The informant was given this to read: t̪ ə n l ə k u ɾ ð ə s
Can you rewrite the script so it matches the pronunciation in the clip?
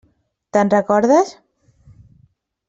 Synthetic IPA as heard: t̪ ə n r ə k ɔ ɾ ð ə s